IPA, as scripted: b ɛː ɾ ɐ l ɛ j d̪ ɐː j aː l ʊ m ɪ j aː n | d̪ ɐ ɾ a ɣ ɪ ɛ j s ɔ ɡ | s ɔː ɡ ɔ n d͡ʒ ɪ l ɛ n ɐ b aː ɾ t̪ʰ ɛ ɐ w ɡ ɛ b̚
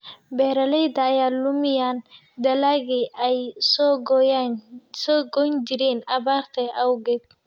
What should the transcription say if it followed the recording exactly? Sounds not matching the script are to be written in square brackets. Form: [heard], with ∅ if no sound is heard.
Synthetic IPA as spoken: b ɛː ɾ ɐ l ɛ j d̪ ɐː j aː l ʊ m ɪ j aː n | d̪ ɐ [l] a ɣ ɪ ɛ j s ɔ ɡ | s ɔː ɡ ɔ n d͡ʒ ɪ [ɾ] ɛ n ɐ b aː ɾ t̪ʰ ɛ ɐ w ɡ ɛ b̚